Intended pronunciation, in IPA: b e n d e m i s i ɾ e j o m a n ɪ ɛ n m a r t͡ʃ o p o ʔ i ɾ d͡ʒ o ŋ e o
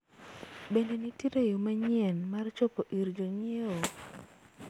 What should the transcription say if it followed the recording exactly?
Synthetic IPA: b e n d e n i t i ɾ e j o m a ɲ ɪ ɛ n m a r t͡ʃ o p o ʔ i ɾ d͡ʒ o ɲ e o